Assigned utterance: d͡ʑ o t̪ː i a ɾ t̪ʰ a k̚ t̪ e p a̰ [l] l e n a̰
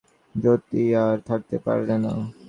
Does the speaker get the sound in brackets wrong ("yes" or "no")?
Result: yes